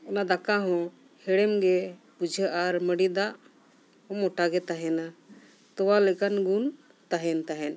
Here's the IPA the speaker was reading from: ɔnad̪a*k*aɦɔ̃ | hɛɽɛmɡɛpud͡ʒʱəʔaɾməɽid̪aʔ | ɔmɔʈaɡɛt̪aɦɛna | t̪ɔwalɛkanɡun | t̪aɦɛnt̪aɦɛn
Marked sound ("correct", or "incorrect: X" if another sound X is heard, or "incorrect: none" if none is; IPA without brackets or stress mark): correct